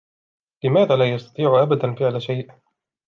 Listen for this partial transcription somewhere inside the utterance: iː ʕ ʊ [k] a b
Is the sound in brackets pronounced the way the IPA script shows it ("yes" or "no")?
no